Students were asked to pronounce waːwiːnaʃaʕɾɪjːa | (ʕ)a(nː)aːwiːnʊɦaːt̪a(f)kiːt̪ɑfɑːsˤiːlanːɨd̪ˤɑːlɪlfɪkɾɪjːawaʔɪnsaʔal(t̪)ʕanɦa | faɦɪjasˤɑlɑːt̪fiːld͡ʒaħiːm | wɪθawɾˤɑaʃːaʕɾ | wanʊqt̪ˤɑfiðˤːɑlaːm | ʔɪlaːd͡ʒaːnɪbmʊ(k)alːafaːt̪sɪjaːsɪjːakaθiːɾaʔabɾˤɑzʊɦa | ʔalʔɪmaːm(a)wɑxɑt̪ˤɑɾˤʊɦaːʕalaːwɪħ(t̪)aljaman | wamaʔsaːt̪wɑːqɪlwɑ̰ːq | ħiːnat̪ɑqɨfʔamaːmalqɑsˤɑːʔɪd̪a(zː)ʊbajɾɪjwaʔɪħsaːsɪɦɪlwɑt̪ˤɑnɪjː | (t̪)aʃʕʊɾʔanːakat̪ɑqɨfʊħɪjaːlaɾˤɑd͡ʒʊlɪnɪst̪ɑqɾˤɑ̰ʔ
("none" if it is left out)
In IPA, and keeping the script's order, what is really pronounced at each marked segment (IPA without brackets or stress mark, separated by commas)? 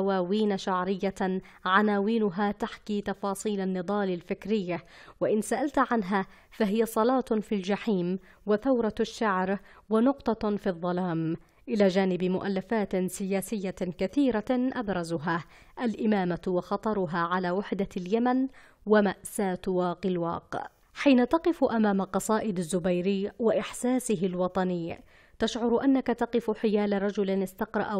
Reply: ʕ, n, ħ, t̪, ʔ, a, d̪, zː, t̪